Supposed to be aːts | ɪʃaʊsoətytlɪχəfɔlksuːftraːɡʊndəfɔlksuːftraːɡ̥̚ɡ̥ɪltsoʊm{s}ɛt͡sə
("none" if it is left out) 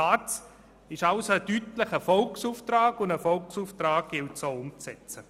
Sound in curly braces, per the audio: t͡s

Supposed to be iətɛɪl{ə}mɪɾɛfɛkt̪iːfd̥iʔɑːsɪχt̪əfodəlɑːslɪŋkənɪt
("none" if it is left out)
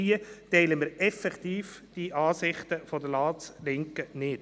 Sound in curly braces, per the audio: ə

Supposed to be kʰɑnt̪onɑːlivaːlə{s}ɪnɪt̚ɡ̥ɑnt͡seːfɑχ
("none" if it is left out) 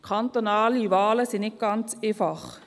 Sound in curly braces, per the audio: s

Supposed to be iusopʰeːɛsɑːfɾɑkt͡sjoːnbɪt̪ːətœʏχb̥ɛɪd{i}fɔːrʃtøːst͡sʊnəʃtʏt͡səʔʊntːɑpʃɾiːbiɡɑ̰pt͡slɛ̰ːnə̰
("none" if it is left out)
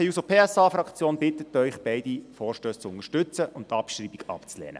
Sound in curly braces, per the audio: i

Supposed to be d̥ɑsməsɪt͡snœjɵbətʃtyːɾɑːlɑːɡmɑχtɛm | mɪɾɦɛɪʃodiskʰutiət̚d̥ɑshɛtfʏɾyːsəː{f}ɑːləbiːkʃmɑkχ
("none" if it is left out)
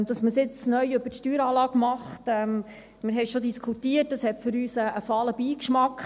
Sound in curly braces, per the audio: f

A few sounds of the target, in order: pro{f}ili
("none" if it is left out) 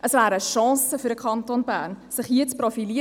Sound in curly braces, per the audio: f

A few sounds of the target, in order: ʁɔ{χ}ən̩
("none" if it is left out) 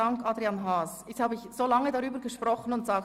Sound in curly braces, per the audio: χ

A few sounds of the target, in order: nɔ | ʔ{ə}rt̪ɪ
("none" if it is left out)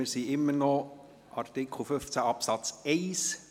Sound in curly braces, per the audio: ɑ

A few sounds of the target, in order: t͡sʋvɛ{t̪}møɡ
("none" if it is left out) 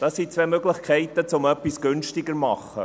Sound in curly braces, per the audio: none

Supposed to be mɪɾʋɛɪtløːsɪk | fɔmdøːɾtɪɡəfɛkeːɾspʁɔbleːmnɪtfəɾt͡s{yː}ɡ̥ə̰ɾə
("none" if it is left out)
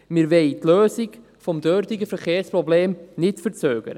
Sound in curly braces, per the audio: øː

